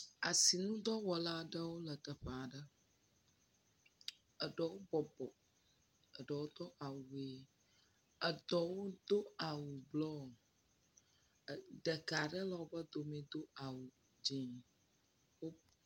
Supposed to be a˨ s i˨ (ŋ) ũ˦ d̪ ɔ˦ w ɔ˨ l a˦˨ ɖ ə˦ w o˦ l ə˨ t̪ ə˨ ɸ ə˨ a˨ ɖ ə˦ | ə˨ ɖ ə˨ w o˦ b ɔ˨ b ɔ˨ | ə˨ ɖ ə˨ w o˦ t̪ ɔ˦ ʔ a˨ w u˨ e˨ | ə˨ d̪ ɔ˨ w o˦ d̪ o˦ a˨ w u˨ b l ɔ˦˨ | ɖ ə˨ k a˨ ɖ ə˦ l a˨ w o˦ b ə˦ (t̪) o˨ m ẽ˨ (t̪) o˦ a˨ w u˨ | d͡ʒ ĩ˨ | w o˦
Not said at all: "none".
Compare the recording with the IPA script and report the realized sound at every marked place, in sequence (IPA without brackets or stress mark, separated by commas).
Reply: n, d̪, d̪